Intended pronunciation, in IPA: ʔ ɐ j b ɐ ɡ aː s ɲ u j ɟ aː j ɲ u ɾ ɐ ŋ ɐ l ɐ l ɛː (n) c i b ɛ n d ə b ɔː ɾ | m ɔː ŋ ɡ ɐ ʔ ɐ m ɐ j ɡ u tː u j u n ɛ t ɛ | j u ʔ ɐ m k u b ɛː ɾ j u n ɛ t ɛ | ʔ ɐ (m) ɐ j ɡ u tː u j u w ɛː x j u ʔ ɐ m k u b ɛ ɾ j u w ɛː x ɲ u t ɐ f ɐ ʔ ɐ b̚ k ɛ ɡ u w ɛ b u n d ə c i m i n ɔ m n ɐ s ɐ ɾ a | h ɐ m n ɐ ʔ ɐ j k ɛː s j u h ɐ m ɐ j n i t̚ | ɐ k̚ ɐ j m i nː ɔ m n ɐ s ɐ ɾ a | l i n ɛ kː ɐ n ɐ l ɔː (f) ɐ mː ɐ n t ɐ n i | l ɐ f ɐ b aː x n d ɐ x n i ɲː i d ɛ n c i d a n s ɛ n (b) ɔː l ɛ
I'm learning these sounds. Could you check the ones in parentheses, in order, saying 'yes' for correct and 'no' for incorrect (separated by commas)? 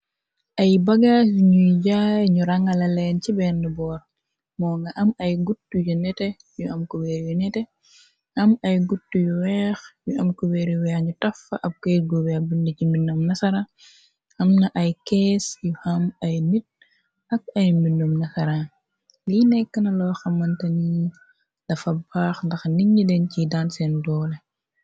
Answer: yes, yes, no, no